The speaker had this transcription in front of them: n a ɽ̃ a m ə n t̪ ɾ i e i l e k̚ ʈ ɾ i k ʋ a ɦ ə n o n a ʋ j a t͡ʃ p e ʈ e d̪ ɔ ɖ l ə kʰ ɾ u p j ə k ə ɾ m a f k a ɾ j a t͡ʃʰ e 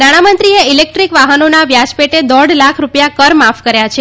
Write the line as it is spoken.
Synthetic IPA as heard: n a ɽ̃ a m ə n t̪ ɾ i e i l e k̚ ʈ ɾ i k ʋ a ɦ ə n o n a ʋ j a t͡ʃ p e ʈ e d̪ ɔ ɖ l a kʰ ɾ u p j a k ə ɾ m a f k ə ɾ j a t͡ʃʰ e